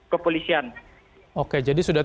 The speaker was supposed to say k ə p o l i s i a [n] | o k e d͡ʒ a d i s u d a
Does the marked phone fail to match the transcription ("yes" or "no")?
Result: no